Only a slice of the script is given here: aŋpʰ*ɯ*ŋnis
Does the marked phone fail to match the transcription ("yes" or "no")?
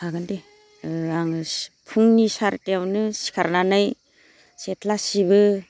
yes